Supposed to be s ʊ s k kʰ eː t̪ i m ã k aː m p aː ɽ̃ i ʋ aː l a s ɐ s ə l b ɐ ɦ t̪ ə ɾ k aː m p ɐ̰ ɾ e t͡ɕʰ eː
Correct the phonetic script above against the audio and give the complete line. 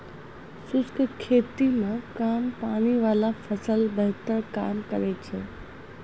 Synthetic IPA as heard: s ʊ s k kʰ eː t̪ i m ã k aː m p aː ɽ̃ i ʋ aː l a f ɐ s ə l b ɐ ɦ t̪ ə ɾ k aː m k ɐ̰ ɾ e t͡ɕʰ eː